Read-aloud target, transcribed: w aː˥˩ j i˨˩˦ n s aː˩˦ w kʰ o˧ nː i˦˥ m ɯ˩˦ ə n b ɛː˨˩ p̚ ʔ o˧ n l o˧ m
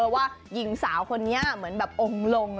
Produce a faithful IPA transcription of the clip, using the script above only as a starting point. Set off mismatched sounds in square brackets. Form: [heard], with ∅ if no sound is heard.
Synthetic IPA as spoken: w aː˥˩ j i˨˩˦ [ŋ] s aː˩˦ w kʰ o˧ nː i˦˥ m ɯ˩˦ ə n b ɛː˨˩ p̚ ʔ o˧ [ŋ] l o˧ [ŋ]